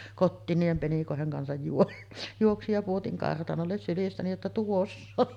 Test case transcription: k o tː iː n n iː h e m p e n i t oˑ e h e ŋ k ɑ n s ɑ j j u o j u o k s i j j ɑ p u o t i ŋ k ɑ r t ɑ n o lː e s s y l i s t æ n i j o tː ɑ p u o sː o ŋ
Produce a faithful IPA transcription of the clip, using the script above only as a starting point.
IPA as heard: k o tː iː n n iː h e m p e n i k oˑ e h e ŋ k ɑ n s ɑ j j u o j u o k s i j j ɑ p u o t i ŋ k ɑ r t ɑ n o lː e s s y l i s t æ n i j o tː ɑ t u o sː o ŋ